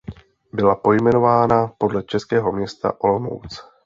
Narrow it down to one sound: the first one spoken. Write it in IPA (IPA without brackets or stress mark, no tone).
b